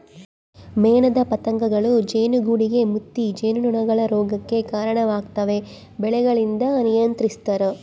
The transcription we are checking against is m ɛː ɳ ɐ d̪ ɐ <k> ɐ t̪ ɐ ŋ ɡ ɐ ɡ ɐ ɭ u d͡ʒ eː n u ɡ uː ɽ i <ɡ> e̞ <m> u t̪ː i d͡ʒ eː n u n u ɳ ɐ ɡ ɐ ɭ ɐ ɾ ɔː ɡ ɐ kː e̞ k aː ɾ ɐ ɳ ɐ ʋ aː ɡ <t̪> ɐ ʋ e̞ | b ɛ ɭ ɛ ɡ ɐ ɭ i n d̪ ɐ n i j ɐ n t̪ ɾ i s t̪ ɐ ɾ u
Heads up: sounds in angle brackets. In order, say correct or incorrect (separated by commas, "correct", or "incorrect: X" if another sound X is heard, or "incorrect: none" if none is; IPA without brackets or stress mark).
incorrect: p, correct, correct, correct